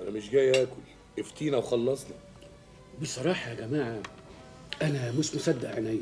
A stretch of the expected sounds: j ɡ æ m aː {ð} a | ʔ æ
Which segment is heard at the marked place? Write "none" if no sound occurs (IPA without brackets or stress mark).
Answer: ʕ